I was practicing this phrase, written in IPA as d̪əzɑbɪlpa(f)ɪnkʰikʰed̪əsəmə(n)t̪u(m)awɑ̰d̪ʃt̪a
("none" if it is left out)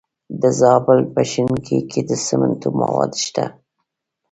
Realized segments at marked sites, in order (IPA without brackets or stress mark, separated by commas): ʃ, n, m